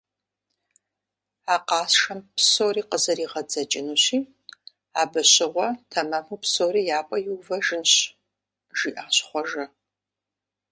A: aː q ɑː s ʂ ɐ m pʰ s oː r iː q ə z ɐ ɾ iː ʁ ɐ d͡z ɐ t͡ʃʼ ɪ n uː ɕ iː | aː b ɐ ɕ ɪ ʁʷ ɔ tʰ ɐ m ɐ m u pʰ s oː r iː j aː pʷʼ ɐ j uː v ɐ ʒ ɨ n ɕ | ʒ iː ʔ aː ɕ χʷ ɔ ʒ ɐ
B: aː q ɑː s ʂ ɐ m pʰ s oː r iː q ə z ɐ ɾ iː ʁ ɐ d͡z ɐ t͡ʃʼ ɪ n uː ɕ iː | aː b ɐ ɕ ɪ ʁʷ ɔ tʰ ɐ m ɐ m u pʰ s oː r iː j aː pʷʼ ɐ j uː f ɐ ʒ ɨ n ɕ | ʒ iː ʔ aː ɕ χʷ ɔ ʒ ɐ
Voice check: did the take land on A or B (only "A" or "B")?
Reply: A